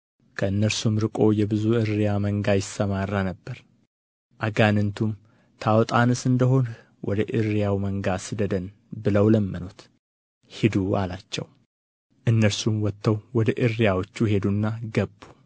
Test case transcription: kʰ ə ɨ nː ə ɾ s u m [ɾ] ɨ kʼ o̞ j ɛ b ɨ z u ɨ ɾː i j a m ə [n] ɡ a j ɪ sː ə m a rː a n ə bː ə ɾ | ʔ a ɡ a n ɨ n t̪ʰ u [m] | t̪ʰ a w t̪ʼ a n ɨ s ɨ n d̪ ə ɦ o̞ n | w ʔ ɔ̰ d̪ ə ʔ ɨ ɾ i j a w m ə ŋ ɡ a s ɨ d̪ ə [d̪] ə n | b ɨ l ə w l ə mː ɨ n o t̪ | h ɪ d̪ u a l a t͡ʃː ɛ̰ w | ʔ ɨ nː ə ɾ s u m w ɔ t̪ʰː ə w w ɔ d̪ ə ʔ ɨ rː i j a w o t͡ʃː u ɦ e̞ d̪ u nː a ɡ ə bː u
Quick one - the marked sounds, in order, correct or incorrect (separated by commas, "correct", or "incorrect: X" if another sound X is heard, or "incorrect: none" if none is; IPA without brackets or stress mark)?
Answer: correct, incorrect: ŋ, correct, correct